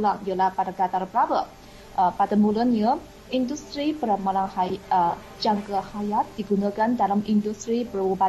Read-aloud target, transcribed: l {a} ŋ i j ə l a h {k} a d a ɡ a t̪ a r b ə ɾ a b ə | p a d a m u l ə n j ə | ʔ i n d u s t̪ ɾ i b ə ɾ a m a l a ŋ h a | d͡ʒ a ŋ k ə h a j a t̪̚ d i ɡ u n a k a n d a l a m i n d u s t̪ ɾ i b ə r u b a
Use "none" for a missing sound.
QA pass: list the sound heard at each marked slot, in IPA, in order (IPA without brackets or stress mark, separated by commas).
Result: a, p